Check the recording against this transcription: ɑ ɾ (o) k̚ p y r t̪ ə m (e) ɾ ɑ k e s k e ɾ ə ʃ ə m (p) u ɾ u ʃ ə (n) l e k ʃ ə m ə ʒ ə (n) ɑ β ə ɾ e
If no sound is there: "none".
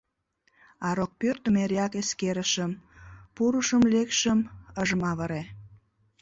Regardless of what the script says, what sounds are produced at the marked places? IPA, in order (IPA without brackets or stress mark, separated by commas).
o, e, p, m, m